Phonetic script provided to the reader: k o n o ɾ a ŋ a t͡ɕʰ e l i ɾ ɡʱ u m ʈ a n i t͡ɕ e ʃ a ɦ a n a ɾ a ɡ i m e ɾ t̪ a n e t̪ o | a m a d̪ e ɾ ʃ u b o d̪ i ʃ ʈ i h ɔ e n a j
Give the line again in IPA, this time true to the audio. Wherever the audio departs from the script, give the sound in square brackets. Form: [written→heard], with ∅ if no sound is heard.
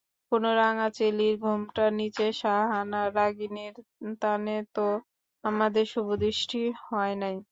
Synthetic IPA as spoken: k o n o ɾ a ŋ a [t͡ɕʰ→t͡ɕ] e l i ɾ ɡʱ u m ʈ a n i t͡ɕ e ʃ a ɦ a n a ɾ a ɡ i [m→n] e ɾ t̪ a n e t̪ o | a m a d̪ e ɾ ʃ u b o d̪ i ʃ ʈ i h ɔ e n a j